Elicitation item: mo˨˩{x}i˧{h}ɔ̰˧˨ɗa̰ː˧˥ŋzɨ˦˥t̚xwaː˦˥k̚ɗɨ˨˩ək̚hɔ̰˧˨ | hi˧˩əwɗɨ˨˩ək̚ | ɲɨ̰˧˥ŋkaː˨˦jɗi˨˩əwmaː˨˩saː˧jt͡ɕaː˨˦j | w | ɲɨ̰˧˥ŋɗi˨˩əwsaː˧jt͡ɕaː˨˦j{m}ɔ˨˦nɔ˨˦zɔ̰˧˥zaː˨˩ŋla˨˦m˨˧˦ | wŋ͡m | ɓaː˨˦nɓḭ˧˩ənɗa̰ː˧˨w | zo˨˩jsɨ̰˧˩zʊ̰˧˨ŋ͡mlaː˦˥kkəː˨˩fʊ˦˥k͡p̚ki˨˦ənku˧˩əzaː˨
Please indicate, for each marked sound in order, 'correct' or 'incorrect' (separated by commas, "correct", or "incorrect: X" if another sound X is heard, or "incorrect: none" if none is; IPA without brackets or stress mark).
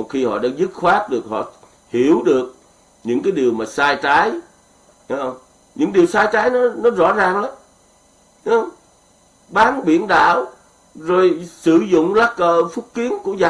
correct, correct, incorrect: n